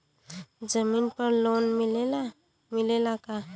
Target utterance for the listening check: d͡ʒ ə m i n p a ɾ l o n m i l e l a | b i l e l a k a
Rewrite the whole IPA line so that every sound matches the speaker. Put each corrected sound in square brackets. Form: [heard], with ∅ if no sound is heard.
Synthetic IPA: d͡ʒ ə m i n p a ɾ l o n m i l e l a | [m] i l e l a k a